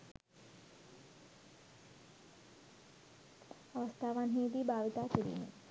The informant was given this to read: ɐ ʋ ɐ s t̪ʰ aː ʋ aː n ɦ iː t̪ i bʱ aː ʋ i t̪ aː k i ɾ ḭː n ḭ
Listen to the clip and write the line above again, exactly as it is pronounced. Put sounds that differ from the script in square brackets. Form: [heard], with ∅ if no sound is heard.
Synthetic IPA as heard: ɐ ʋ ɐ s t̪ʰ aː ʋ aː n ɦ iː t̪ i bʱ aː ʋ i t̪ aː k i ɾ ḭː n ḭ